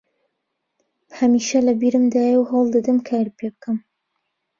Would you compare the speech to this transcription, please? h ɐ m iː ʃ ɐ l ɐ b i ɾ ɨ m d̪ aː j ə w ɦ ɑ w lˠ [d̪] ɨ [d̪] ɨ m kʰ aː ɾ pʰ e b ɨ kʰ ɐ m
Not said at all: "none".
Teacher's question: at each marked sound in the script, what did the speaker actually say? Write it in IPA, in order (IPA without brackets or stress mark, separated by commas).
d̪, d̪